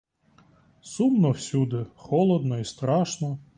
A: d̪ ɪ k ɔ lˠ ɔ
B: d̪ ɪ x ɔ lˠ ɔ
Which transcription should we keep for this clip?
B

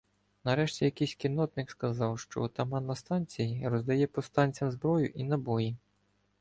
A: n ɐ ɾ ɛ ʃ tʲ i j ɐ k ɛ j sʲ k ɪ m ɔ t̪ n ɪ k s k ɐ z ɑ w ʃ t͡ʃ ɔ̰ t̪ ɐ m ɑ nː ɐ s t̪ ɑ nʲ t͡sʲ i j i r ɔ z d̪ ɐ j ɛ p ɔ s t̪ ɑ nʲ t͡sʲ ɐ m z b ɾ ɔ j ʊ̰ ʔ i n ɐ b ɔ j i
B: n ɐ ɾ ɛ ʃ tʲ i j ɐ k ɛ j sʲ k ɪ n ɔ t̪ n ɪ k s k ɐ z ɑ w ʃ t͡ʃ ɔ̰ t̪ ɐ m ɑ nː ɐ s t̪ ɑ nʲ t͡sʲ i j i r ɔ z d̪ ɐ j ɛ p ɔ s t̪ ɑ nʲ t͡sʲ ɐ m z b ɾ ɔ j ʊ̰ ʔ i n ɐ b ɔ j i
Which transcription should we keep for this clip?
B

